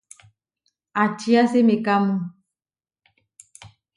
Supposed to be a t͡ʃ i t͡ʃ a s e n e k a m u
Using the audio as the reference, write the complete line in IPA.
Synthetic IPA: a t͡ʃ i a s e m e k a m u